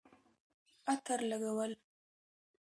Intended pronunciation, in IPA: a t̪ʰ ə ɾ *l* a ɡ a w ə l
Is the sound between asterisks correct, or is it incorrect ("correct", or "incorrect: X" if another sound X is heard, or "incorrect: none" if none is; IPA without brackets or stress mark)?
correct